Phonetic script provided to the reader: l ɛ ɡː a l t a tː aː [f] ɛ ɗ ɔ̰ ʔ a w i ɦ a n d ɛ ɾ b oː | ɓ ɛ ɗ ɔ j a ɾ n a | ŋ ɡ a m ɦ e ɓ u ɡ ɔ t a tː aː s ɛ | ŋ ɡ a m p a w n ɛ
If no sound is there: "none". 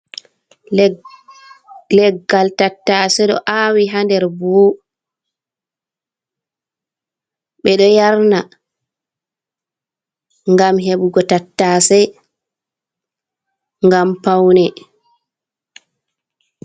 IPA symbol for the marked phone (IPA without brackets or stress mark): s